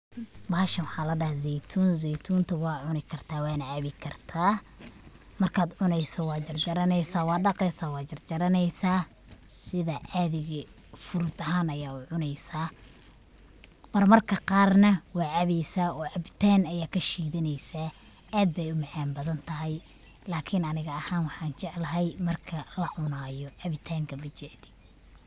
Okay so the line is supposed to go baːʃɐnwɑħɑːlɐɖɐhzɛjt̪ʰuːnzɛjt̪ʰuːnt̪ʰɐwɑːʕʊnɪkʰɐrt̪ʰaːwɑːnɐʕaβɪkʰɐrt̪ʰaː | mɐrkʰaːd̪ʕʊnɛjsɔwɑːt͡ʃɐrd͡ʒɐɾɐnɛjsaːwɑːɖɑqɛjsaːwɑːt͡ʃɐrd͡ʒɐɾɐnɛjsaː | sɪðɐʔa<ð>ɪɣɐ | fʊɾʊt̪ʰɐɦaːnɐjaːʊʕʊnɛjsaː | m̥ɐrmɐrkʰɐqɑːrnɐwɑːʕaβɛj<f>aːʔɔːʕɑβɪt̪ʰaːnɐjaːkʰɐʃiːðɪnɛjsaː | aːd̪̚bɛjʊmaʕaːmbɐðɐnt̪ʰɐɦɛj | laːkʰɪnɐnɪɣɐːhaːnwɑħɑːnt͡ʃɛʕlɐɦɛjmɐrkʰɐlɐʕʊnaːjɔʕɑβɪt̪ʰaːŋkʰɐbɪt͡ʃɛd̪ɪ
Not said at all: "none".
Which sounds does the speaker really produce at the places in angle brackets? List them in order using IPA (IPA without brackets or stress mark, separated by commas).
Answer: ð, s